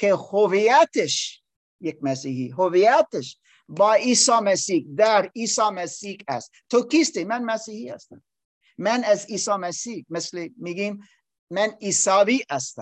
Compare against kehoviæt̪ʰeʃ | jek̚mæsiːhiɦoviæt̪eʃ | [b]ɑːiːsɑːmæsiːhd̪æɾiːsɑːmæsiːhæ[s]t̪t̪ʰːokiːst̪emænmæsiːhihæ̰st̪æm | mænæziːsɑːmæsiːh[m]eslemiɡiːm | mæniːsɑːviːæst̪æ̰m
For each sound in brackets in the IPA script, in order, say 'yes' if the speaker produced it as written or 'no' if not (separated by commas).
yes, yes, yes